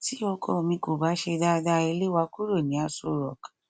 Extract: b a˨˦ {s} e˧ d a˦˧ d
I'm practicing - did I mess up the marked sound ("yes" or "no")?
yes